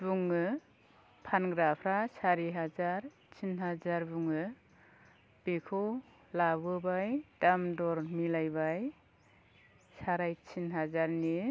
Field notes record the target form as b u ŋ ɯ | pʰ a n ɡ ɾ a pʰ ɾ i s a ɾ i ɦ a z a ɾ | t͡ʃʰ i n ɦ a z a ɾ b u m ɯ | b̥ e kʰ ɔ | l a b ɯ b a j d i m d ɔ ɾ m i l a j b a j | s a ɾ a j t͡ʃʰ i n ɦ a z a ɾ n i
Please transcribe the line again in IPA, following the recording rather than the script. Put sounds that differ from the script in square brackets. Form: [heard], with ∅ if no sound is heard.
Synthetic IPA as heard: b u ŋ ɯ | pʰ a n ɡ ɾ a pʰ ɾ [a] s a ɾ i ɦ a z a ɾ | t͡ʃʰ i n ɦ a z a ɾ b u [ŋ] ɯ | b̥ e kʰ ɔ | l a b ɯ b a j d [a] m d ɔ ɾ m i l a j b a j | s a ɾ a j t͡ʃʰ i n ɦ a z a ɾ n i